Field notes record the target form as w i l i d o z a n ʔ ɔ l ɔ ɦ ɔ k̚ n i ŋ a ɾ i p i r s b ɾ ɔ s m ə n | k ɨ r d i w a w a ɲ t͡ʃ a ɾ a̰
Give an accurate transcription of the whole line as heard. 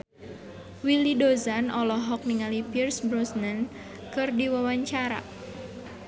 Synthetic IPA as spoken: w i l i d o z a n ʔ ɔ l ɔ ɦ ɔ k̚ n i ŋ a l i p i r s b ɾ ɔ s n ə n | k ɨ r d i w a w a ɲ t͡ʃ a ɾ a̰